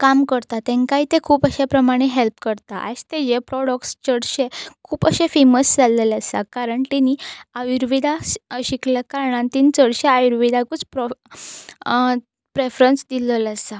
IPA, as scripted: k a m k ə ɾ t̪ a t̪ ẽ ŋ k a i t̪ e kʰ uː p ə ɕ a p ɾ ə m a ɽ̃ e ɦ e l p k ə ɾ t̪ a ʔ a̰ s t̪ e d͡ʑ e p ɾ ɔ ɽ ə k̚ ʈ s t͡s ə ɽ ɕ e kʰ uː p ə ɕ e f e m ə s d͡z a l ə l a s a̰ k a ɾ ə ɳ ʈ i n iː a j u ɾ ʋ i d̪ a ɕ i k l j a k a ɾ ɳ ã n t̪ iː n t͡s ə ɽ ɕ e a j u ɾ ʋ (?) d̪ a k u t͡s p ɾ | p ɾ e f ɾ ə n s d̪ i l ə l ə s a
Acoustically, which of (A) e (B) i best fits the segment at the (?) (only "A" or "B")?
B